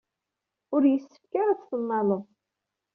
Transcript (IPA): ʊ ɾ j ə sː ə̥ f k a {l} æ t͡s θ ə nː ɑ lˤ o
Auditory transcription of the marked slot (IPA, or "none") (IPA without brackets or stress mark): ɾ